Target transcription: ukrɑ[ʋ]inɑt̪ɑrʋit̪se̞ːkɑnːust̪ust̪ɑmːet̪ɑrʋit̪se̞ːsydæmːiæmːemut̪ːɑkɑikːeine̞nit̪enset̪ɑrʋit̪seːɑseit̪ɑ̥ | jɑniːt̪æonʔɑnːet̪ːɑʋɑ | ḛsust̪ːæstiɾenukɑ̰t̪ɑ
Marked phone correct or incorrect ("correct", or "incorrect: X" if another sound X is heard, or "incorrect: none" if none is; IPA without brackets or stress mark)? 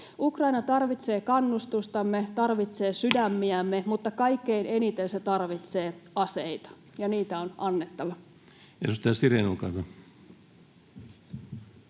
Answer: incorrect: none